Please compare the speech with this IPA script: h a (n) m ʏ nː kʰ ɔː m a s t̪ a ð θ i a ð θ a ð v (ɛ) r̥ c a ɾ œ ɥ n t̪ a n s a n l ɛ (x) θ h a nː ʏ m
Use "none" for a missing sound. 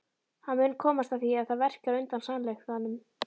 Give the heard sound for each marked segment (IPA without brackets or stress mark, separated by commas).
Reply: n, ɛ, x